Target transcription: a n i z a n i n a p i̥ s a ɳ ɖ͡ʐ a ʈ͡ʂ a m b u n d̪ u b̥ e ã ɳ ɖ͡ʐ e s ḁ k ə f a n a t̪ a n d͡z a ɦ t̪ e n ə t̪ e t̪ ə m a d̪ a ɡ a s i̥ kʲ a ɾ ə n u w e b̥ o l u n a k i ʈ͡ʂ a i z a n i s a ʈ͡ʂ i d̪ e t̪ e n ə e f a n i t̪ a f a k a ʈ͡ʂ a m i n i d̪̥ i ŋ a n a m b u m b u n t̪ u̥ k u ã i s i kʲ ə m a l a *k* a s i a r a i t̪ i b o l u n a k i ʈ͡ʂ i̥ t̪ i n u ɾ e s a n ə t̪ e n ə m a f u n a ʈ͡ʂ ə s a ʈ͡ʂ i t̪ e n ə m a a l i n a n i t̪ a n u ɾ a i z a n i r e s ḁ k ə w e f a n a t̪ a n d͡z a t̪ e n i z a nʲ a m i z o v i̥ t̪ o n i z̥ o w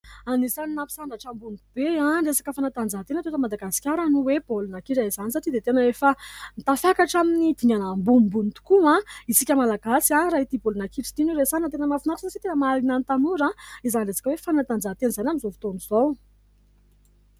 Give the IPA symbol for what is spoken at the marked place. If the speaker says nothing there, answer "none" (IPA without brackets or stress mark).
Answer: ɡ